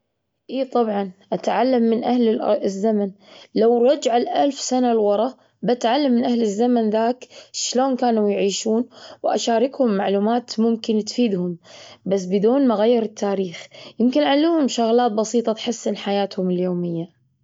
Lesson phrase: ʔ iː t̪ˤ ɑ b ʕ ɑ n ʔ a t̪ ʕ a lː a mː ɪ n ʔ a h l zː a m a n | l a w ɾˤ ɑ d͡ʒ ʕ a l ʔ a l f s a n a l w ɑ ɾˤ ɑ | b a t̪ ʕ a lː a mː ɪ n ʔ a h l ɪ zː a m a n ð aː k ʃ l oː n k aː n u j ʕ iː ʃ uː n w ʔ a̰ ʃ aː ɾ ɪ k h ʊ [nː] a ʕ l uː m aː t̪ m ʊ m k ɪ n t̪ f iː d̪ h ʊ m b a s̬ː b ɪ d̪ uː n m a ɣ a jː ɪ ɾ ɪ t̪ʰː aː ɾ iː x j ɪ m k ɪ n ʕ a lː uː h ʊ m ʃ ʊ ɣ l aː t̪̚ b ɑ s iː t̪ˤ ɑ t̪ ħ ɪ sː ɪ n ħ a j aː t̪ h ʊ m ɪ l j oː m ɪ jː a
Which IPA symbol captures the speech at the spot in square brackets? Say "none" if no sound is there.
mː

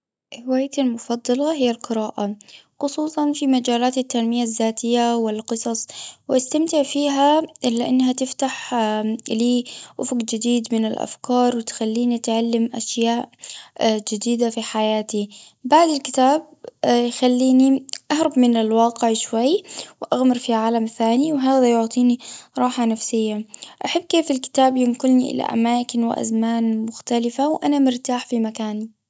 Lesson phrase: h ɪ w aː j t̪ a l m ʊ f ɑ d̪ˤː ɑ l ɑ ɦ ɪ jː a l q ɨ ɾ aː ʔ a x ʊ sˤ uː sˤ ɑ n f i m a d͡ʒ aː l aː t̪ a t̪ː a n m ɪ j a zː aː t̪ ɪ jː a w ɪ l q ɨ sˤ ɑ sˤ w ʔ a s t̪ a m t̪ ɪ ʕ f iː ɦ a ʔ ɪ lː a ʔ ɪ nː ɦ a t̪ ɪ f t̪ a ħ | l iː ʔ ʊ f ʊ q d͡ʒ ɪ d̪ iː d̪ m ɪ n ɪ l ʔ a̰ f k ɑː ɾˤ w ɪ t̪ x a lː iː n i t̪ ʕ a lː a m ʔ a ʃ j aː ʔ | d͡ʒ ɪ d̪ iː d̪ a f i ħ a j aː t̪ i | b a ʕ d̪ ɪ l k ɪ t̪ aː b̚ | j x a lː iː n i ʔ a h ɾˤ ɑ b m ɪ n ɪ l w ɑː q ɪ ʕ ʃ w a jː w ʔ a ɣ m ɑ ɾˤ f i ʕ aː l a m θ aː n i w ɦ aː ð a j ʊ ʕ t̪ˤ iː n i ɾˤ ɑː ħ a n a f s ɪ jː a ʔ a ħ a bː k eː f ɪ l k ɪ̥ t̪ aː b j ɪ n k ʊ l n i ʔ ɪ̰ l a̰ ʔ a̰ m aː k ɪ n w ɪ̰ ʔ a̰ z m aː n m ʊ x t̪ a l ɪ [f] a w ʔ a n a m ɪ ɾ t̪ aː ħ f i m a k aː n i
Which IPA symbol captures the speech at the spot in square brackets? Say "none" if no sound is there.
f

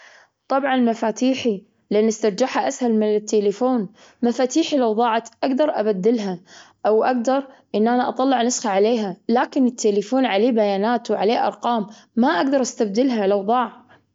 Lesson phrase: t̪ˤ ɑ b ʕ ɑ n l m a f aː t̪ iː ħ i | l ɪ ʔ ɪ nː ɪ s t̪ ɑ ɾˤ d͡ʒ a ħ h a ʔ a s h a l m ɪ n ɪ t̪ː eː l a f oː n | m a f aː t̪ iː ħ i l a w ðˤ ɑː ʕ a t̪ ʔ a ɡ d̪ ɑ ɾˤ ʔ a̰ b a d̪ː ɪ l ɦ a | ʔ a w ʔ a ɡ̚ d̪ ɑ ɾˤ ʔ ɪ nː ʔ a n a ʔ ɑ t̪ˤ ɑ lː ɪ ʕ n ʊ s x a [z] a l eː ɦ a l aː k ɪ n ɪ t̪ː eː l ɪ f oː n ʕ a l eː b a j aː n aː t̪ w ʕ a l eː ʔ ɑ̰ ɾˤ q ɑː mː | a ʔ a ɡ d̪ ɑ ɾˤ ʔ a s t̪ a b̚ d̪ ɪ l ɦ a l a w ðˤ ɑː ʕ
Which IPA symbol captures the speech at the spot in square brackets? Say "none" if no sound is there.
ʕ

